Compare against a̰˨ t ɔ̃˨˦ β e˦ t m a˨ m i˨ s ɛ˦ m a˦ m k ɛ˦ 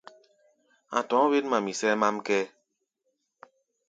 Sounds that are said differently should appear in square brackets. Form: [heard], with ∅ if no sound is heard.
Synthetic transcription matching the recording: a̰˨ t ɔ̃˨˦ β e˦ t m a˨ m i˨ s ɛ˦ m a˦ m k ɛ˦

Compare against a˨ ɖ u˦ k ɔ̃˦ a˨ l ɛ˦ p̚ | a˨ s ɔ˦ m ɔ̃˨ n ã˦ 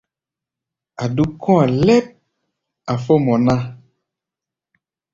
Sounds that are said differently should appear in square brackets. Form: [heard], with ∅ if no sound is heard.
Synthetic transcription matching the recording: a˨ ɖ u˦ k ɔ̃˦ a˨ l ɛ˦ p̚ | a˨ [f] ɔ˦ m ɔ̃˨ n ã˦

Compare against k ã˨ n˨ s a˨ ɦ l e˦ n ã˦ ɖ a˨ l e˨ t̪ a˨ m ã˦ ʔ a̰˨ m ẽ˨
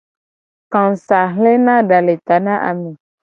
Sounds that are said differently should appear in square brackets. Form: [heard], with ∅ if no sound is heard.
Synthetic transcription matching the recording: k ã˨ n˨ s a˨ ɦ l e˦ n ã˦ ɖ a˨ l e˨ t̪ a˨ [n] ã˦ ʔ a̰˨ m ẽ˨

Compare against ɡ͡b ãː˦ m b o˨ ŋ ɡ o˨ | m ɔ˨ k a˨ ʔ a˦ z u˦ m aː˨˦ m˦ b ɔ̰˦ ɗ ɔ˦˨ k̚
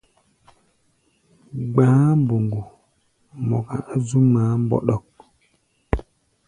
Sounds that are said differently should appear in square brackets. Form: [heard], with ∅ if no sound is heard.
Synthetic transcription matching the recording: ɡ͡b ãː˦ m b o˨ ŋ ɡ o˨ | m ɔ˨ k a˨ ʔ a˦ z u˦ m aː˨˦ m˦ b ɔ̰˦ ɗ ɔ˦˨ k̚

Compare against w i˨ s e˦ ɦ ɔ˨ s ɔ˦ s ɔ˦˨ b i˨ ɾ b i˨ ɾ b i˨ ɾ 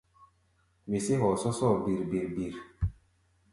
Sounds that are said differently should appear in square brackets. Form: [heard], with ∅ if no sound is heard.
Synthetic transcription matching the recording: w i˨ s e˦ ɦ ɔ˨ s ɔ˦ s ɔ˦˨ b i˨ ɾ b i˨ ɾ b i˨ ɾ

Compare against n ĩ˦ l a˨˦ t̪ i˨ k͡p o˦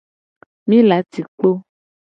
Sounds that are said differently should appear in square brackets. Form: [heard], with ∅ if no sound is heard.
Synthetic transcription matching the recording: [m] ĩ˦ l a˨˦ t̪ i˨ k͡p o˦

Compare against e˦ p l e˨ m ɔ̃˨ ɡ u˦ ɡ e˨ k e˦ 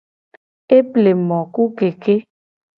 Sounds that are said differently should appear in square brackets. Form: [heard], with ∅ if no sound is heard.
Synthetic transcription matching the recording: e˦ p l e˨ m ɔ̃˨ [k] u˦ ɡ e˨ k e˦

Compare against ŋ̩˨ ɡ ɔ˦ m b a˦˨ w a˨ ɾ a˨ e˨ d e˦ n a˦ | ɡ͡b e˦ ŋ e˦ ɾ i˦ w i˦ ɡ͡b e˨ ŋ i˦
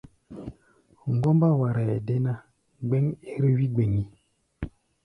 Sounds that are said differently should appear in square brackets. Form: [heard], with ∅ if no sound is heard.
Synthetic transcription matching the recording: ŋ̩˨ ɡ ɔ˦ m b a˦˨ w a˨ ɾ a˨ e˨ d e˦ n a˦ | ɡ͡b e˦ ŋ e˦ ɾ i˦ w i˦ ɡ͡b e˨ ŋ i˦

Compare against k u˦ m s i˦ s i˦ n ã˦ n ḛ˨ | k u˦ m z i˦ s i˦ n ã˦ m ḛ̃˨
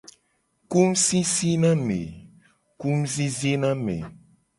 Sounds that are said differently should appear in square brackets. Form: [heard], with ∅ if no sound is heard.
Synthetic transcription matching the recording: k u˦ m s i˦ s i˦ n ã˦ [m] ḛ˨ | k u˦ m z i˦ [z] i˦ n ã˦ m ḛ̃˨

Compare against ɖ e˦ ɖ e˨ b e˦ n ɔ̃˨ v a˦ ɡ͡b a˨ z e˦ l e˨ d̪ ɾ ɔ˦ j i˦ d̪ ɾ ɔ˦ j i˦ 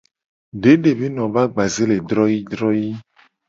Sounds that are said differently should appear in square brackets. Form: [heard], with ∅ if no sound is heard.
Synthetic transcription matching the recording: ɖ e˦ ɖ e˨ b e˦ n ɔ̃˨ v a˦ ɡ͡b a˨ z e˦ l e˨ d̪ ɾ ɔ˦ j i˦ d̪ ɾ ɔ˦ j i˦

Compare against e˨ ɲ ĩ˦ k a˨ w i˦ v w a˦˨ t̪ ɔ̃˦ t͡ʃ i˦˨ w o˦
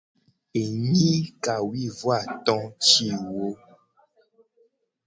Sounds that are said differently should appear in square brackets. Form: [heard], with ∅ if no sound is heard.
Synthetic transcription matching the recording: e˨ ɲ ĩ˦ k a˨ w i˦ v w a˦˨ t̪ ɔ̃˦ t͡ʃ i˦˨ w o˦

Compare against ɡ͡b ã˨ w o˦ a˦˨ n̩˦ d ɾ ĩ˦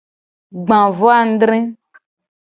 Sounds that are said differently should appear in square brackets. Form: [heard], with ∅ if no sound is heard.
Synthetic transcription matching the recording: ɡ͡b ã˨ [v] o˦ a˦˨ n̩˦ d ɾ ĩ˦

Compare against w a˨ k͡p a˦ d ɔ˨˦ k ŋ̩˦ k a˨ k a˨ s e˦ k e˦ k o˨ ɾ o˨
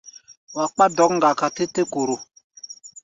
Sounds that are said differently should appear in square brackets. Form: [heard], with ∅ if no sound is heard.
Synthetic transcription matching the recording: w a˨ k͡p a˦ d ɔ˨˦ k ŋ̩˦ [ɡ] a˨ k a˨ [t] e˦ [t] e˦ k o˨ ɾ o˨

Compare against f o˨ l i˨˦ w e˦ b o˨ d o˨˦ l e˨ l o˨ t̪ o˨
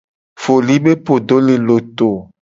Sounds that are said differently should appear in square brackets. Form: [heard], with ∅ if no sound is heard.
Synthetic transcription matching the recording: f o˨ l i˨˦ [b] e˦ [p] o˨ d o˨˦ l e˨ l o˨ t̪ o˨

